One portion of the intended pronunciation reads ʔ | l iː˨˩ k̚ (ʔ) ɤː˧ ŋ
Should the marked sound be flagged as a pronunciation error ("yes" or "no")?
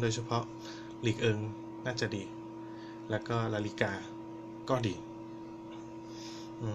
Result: no